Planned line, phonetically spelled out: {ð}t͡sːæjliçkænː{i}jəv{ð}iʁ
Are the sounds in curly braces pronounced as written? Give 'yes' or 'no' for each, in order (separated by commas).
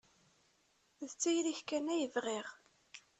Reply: yes, no, no